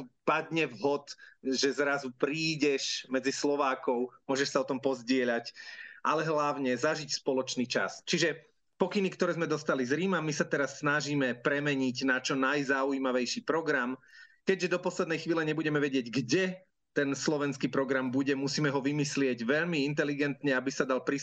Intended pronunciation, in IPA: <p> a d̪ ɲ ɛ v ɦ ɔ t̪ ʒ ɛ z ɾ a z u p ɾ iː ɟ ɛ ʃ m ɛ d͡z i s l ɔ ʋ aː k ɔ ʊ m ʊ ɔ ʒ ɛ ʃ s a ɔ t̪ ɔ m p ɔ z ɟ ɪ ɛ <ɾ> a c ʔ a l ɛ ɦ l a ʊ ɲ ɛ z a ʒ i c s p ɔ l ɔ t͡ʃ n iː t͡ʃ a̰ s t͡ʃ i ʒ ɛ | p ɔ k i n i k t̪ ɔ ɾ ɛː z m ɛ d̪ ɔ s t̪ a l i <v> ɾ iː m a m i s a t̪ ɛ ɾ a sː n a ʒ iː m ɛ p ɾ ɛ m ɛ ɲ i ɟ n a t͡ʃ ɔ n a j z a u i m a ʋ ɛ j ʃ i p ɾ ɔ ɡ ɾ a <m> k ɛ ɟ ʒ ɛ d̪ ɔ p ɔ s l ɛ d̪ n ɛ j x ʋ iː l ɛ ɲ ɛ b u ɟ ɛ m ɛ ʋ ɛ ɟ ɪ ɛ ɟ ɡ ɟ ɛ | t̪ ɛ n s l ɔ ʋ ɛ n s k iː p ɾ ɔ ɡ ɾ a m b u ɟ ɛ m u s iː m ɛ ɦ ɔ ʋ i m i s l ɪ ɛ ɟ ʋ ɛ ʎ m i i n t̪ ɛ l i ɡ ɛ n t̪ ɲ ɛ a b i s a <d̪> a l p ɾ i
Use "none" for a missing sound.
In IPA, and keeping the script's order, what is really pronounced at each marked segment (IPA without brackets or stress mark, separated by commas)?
p, ʎ, z, m, d̪